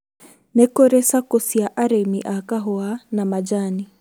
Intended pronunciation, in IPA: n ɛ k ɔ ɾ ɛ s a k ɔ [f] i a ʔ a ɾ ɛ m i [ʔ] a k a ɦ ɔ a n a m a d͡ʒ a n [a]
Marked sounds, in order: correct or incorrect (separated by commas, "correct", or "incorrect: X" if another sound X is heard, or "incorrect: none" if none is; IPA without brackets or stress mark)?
incorrect: s, correct, incorrect: i